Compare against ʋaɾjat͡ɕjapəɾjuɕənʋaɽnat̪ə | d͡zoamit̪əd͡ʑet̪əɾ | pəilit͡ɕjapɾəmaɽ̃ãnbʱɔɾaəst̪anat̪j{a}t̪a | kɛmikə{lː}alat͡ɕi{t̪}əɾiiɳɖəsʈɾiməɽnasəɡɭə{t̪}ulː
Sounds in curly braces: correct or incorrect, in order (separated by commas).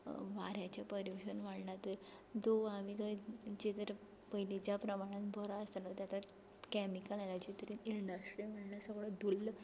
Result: correct, incorrect, correct, incorrect